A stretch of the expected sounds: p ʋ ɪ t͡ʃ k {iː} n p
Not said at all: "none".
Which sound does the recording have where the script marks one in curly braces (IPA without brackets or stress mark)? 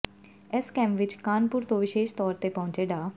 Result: aː